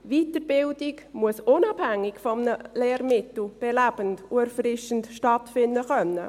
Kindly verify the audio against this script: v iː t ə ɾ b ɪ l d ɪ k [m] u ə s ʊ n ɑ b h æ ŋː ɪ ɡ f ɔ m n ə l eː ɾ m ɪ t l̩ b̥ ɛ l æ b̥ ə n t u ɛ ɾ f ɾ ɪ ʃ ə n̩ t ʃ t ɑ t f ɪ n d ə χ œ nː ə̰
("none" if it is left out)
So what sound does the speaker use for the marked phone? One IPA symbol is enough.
m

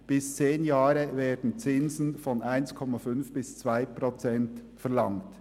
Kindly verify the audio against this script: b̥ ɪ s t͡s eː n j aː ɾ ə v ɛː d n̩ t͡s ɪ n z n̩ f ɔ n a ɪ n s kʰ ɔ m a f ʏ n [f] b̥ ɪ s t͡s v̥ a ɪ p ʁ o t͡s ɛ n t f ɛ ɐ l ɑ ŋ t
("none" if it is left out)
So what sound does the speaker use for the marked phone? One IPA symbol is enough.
f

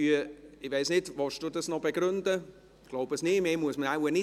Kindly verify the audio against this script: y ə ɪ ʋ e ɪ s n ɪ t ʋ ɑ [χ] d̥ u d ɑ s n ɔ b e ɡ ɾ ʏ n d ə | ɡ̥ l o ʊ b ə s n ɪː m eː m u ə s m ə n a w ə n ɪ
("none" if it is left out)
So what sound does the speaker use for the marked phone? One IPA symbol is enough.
ʃ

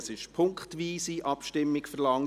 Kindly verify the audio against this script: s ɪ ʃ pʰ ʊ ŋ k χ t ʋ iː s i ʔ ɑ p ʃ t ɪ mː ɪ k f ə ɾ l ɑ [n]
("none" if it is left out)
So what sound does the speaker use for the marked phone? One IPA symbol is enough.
ŋ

